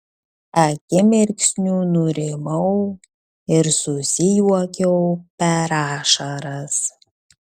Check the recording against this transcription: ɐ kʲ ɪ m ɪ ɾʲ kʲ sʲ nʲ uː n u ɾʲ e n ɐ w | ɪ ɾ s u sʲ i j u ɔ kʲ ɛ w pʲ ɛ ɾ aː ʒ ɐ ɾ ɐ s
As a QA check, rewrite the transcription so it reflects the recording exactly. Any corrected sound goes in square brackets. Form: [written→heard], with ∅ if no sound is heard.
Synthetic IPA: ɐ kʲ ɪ m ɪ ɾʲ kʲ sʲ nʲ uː n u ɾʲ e [n→m] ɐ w | ɪ ɾ s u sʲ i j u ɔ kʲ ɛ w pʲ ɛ ɾ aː [ʒ→ʃ] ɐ ɾ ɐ s

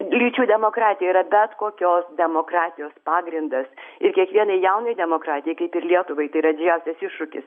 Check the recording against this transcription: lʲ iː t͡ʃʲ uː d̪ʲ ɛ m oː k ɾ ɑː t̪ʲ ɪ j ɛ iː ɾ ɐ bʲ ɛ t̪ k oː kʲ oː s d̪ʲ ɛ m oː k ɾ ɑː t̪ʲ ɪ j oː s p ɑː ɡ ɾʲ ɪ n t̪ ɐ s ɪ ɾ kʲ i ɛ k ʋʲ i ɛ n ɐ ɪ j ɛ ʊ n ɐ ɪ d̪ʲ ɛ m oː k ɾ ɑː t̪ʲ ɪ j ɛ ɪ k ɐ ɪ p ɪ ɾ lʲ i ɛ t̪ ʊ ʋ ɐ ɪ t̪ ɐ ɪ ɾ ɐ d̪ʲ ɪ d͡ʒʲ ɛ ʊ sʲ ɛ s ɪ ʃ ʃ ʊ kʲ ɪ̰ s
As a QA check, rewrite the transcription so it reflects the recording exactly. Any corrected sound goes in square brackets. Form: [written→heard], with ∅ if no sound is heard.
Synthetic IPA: lʲ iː t͡ʃʲ uː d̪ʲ ɛ m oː k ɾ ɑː t̪ʲ ɪ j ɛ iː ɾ ɐ bʲ ɛ t̪ k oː kʲ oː s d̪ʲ ɛ m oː k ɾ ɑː t̪ʲ ɪ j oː s p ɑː ɡ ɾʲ ɪ n [t̪→d̪] ɐ s ɪ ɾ kʲ i ɛ k ʋʲ i ɛ n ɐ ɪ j ɛ ʊ n ɐ ɪ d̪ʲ ɛ m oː k ɾ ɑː t̪ʲ ɪ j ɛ ɪ k ɐ ɪ p ɪ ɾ lʲ i ɛ t̪ ʊ ʋ ɐ ɪ t̪ ɐ ɪ ɾ ɐ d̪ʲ ɪ d͡ʒʲ ɛ ʊ sʲ ɛ s ɪ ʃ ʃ ʊ kʲ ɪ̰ s

